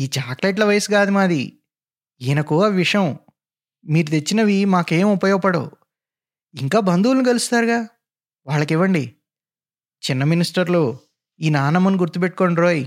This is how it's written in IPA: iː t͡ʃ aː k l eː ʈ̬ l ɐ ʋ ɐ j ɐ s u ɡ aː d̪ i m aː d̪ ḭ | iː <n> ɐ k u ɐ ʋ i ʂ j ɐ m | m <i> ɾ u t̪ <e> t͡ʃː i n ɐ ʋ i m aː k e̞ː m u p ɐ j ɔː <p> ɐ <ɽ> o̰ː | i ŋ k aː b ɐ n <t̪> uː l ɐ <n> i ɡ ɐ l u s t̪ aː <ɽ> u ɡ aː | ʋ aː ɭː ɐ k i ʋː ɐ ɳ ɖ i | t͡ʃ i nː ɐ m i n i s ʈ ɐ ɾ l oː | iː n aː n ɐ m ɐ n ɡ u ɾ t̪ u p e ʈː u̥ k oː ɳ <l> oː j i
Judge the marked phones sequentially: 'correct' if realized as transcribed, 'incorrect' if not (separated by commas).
correct, incorrect, correct, correct, correct, incorrect, correct, incorrect, incorrect